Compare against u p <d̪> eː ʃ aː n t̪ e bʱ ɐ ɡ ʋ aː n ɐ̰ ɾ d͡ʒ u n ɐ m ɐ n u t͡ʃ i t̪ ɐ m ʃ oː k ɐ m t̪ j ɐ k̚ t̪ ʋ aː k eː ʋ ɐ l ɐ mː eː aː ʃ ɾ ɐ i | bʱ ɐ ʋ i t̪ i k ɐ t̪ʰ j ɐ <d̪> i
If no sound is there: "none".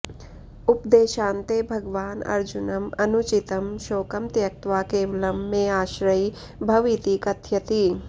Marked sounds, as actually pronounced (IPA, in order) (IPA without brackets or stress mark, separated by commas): d̪, t̪